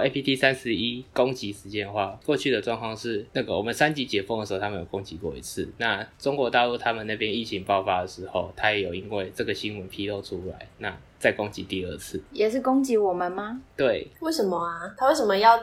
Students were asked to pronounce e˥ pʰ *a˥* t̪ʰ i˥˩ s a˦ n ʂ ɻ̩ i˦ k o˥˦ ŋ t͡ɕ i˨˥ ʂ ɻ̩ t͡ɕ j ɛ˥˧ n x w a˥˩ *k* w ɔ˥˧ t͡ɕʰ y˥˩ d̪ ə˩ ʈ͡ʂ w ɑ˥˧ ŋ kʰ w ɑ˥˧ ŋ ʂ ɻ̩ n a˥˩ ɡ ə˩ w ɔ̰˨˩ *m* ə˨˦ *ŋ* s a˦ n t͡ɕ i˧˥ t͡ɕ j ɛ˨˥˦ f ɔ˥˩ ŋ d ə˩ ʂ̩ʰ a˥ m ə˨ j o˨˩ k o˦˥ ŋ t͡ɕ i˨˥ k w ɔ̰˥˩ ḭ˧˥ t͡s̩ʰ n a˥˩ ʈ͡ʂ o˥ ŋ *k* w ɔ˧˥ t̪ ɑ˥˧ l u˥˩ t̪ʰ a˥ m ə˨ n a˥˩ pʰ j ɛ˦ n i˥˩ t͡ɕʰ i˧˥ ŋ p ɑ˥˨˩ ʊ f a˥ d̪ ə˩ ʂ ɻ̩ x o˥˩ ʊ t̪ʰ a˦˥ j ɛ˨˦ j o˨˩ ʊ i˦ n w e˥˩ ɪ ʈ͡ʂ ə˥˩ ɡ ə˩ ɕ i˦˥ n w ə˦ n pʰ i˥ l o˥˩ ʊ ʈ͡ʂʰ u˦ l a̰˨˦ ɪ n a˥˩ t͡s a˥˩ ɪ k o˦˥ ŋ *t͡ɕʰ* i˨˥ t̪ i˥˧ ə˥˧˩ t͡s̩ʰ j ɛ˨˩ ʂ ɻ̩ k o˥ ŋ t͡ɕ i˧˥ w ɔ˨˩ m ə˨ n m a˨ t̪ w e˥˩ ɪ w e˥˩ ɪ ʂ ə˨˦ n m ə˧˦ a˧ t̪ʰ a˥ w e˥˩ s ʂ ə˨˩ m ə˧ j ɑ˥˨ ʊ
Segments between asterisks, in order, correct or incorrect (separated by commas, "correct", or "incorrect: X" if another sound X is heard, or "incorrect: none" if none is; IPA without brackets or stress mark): incorrect: i˥, correct, correct, incorrect: n, correct, incorrect: t͡ɕ